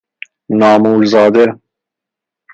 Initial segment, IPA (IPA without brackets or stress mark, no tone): n